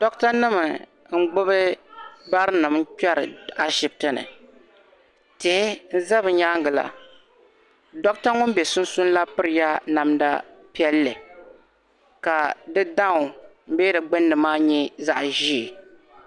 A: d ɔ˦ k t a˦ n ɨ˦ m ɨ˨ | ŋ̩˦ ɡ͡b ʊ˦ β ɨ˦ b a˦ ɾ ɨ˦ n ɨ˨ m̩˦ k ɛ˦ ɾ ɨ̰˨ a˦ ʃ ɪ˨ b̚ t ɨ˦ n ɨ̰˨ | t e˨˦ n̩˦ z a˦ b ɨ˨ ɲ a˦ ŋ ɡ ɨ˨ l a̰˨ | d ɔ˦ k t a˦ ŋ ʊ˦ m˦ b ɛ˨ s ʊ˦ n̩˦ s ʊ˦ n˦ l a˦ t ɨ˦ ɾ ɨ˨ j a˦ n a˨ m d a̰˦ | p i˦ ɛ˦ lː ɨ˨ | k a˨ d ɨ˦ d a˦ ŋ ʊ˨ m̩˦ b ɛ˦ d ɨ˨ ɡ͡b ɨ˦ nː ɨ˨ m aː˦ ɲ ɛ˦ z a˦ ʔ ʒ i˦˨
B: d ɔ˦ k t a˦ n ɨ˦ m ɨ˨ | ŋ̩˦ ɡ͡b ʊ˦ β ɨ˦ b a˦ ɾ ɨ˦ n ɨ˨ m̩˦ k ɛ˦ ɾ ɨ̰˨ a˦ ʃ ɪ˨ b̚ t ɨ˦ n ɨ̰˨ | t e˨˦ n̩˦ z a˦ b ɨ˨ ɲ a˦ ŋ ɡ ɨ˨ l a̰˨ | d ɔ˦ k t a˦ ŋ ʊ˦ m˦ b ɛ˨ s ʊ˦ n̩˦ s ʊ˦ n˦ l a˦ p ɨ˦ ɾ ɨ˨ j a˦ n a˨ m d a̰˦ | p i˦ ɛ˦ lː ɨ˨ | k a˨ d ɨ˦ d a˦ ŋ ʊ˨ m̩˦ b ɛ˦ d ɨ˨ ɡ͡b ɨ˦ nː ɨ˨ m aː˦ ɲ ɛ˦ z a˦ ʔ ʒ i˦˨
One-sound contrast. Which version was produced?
B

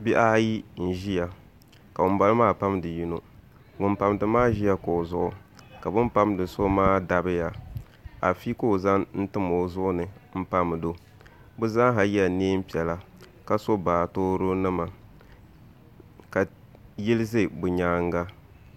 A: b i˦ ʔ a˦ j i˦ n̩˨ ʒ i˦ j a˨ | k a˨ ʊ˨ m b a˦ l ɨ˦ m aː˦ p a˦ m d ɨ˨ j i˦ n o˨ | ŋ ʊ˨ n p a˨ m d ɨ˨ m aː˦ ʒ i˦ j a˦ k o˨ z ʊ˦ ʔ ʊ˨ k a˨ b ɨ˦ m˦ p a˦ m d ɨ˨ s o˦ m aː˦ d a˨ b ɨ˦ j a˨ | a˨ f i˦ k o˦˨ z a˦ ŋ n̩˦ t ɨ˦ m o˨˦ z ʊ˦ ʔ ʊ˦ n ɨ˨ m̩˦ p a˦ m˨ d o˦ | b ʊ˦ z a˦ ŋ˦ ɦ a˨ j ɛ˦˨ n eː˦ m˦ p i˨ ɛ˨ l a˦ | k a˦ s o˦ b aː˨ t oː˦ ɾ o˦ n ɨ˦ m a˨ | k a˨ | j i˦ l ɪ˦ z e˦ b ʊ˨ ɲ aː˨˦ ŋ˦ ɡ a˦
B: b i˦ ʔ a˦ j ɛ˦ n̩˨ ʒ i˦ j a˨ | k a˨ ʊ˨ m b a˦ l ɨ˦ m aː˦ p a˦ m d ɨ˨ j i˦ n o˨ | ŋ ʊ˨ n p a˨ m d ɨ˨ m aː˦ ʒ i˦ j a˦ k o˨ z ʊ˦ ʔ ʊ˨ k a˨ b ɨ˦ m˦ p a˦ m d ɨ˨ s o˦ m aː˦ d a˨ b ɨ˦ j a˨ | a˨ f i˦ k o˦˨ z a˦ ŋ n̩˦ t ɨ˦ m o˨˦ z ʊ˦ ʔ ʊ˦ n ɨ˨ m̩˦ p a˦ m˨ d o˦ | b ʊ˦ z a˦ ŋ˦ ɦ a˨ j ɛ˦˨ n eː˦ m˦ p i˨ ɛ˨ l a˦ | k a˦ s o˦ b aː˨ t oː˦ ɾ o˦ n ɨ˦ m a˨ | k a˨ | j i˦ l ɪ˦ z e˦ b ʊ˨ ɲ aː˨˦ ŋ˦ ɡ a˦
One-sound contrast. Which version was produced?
A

